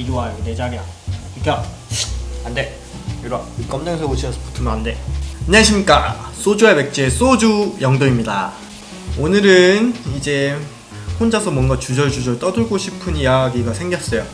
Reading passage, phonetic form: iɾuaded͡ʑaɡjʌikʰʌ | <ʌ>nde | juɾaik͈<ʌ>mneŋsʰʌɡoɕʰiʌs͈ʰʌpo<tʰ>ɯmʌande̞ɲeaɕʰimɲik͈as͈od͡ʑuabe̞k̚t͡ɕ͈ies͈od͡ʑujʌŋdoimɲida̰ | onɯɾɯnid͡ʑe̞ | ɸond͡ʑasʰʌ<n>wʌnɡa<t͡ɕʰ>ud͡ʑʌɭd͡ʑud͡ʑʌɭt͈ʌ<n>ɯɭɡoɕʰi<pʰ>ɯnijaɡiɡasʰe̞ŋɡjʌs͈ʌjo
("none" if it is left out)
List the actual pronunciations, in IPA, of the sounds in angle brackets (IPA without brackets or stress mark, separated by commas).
a, ʌ, tʰ, m, t͡ɕ, d, pʰ